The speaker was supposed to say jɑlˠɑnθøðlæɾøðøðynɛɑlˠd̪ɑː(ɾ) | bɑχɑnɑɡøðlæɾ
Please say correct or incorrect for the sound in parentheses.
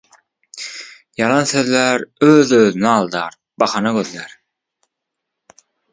correct